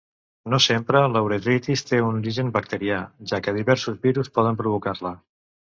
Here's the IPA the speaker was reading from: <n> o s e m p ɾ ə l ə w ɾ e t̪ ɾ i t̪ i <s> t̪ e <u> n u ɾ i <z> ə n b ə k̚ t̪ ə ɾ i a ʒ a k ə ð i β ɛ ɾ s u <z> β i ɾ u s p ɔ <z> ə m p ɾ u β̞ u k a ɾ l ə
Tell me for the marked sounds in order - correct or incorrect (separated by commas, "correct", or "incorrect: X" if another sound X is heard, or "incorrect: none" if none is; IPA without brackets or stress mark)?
correct, correct, correct, incorrect: ʒ, correct, incorrect: ð